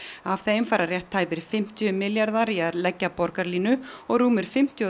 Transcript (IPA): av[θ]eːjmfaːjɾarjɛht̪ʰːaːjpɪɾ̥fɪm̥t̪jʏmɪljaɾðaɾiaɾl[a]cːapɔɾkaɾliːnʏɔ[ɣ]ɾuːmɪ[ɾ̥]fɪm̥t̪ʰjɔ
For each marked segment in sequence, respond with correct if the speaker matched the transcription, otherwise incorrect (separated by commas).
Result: correct, incorrect, correct, correct